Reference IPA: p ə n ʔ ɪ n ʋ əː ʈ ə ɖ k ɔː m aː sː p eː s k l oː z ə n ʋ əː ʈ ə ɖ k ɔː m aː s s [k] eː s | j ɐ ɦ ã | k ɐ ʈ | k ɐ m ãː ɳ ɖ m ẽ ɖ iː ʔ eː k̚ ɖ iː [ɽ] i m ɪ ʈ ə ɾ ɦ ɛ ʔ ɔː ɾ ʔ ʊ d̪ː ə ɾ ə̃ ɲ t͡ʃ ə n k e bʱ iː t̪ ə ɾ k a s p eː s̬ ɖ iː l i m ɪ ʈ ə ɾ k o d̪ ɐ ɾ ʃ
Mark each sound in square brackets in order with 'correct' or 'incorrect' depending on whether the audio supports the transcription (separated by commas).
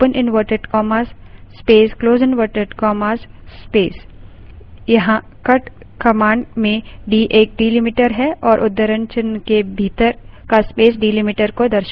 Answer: incorrect, incorrect